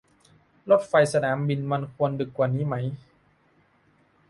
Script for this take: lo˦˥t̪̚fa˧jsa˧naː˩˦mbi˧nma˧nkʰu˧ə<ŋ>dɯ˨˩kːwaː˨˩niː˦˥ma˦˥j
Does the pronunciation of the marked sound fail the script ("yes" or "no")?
yes